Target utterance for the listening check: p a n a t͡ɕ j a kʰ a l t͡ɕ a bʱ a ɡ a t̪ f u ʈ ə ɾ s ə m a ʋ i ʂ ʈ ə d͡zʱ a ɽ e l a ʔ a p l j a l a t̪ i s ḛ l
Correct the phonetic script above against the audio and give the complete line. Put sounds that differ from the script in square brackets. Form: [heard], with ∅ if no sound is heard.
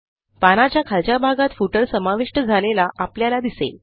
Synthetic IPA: p a n a t͡ɕ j a kʰ a l t͡ɕ a bʱ a ɡ a t̪ f u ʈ ə ɾ s ə m a ʋ i ʂ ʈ ə d͡zʱ a [l] e l a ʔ a p l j a l a [d̪] i s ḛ l